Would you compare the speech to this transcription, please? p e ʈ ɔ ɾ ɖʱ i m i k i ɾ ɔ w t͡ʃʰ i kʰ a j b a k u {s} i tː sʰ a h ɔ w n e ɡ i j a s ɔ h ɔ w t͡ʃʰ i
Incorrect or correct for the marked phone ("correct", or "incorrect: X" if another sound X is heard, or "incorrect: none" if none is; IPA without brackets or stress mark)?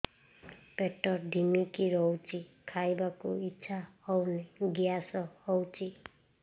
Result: incorrect: none